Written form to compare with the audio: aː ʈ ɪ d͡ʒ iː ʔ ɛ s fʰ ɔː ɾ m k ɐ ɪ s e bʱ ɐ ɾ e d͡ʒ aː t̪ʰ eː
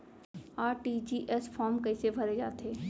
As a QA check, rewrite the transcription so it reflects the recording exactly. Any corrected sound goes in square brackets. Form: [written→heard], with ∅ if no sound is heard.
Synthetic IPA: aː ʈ [ɪ→i] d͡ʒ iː ʔ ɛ s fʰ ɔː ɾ m k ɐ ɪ s e bʱ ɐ ɾ e d͡ʒ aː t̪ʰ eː